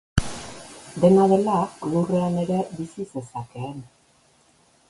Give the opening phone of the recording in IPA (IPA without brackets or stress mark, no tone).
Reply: d̪